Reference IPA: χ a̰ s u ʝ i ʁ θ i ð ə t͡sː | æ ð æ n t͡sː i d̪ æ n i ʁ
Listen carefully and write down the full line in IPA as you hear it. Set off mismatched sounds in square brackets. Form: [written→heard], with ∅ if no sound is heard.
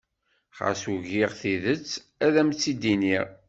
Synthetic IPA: χ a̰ s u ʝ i ʁ θ i ð ə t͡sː | æ ð æ [n→m] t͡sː i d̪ [æ→i] n i ʁ